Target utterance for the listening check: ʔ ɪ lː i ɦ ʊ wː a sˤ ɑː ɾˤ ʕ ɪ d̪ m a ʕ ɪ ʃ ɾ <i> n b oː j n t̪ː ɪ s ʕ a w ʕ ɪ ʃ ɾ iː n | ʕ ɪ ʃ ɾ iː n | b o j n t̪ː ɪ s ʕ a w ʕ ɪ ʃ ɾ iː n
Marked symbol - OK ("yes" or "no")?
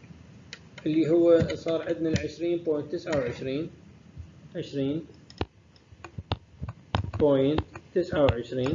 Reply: no